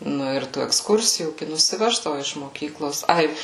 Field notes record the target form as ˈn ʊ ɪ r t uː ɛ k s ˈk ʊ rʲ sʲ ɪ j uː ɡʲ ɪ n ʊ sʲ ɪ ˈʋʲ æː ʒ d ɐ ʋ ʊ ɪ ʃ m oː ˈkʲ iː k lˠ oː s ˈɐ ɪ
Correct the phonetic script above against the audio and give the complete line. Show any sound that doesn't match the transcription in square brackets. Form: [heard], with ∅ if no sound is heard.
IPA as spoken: ˈn ʊ ɪ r t uː ɛ k s ˈk ʊ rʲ sʲ ɪ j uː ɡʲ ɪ n ʊ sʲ ɪ ˈʋʲ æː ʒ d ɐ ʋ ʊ ɪ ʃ m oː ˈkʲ iː k lˠ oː s ˈɐ ɪ